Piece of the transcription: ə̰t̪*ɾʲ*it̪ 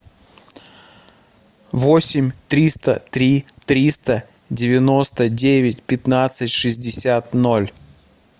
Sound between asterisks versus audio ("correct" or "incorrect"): correct